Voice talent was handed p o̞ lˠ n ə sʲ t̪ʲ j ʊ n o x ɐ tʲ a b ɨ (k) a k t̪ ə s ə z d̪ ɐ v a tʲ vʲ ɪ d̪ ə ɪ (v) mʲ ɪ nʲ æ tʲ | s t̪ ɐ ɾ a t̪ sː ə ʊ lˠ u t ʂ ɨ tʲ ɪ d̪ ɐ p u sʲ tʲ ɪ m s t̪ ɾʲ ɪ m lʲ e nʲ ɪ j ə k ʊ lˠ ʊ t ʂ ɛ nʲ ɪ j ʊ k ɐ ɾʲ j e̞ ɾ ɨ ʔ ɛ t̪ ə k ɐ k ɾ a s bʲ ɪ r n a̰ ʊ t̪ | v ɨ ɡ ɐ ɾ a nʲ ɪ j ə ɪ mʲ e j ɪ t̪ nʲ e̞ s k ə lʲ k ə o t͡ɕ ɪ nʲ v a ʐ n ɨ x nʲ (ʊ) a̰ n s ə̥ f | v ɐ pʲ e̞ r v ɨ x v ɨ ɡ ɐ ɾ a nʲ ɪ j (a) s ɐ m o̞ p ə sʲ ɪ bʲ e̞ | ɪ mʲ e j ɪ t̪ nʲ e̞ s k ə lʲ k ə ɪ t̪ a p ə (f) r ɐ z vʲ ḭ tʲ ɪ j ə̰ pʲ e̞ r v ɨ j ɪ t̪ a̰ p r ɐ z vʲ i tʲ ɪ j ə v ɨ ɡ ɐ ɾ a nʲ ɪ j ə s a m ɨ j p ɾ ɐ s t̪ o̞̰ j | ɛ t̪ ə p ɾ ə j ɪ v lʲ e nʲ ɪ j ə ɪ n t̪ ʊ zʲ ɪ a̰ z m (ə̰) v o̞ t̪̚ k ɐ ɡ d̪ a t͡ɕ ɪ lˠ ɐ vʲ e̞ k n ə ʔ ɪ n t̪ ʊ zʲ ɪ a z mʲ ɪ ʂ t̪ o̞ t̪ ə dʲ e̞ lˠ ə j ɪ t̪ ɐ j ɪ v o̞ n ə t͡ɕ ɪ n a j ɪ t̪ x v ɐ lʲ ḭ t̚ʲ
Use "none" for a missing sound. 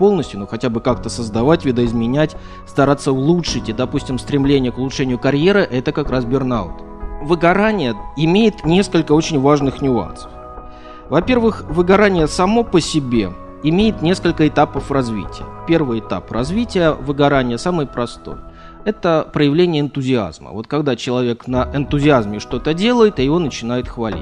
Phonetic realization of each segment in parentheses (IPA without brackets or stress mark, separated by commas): k, z, ʊ, ə, f, ə̰